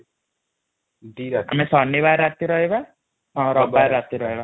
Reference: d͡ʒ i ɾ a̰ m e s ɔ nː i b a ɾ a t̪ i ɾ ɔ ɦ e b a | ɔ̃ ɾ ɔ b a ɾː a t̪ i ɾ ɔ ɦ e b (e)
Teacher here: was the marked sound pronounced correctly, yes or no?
no